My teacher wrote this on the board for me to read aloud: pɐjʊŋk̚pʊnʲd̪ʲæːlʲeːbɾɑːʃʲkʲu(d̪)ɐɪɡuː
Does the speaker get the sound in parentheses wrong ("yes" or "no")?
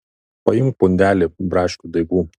no